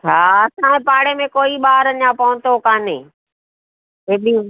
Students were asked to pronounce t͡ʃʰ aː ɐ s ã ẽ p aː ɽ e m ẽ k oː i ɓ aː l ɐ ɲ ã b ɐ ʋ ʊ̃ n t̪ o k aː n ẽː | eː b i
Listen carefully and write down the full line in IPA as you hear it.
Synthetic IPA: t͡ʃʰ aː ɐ s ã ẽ p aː ɽ e m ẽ k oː i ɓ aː ɾ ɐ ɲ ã p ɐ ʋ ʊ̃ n t̪ o k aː n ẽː | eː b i